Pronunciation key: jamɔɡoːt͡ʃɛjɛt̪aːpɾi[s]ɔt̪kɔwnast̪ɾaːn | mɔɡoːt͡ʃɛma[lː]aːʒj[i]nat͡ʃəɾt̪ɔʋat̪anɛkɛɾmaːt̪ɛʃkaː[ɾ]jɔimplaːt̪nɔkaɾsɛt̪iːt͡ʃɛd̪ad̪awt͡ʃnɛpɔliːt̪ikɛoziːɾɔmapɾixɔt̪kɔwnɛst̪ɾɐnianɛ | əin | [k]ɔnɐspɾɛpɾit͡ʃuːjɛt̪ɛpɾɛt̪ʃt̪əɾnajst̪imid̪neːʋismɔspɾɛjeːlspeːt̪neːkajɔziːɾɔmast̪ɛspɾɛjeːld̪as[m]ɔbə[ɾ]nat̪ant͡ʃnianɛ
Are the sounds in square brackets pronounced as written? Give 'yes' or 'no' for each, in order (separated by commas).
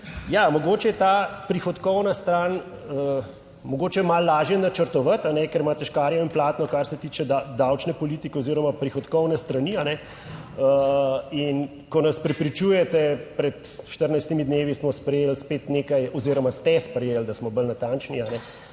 no, yes, no, yes, yes, yes, no